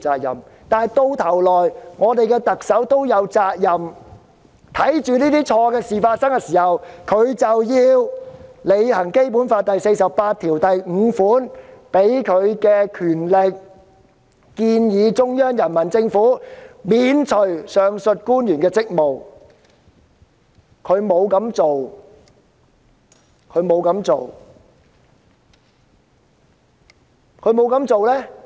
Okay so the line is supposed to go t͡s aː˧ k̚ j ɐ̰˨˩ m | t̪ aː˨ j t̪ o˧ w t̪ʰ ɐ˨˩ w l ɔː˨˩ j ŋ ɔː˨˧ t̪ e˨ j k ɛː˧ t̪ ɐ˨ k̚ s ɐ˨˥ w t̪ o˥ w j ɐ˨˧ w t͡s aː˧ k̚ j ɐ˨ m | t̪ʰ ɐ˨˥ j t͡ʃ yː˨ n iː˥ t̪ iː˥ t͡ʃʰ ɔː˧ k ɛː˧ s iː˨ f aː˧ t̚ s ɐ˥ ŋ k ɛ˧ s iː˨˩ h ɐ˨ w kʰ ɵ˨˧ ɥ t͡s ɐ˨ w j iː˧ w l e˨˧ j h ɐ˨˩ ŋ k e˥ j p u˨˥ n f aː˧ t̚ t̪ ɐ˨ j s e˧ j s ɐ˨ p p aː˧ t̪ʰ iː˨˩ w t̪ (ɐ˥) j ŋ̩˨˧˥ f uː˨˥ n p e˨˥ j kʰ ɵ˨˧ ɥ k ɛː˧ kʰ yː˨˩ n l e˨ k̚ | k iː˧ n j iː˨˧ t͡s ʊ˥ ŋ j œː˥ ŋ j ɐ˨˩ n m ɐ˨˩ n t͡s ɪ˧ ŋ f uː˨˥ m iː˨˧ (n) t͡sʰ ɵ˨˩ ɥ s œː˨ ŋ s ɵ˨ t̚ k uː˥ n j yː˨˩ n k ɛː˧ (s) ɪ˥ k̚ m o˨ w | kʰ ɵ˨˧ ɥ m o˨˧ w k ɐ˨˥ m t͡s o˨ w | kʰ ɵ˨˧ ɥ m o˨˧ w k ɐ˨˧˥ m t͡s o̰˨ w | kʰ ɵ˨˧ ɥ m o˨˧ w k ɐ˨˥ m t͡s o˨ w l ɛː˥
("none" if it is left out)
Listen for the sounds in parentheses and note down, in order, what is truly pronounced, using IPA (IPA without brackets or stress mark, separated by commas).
ɐ˨, n, t͡s